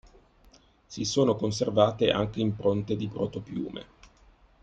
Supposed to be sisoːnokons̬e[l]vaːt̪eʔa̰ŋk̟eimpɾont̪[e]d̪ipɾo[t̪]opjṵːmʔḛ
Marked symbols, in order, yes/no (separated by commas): no, yes, yes